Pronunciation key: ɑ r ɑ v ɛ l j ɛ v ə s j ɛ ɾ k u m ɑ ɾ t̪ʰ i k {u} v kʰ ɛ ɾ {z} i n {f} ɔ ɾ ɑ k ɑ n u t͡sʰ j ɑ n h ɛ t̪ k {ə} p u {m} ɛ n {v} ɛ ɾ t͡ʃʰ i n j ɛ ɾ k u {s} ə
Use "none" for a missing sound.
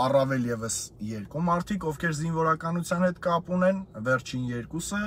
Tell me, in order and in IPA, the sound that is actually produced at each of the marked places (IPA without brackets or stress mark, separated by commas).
ɔ, z, v, ɑ, n, v, s